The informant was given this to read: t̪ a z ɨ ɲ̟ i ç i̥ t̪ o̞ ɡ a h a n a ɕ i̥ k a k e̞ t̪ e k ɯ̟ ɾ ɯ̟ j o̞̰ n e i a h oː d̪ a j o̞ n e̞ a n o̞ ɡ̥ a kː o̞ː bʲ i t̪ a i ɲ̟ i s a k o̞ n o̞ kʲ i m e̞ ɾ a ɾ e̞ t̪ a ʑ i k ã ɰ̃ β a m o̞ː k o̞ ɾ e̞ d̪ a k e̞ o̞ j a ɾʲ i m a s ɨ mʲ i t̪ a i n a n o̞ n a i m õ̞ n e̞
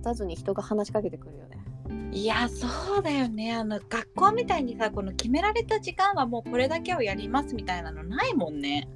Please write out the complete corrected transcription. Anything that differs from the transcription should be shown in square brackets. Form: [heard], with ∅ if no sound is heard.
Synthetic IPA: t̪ a z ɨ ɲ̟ i ç i̥ t̪ o̞ ɡ a h a n a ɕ i̥ k a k e̞ t̪ e k ɯ̟ ɾ ɯ̟ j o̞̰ n e i a [s] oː d̪ a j o̞ n e̞ a n o̞ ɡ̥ a kː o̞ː [mʲ] i t̪ a i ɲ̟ i s a k o̞ n o̞ kʲ i m e̞ ɾ a ɾ e̞ t̪ a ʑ i k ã ɰ̃ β a m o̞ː k o̞ ɾ e̞ d̪ a k e̞ o̞ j a ɾʲ i m a s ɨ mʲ i t̪ a i n a n o̞ n a i m õ̞ [nː] e̞